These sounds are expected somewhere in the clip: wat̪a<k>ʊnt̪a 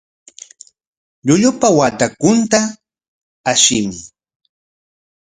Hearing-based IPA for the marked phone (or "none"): k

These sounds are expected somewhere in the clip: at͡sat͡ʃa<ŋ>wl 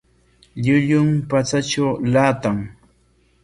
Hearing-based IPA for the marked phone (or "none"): none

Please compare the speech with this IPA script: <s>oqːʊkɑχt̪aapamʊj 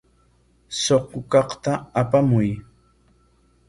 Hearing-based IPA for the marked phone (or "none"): s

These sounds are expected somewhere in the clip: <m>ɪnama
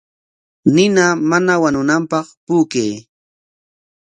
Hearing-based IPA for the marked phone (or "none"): n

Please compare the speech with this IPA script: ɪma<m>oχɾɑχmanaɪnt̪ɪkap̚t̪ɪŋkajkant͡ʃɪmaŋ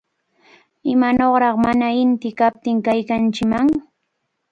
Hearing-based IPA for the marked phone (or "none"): n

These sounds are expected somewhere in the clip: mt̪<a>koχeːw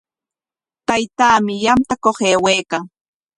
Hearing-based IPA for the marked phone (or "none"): a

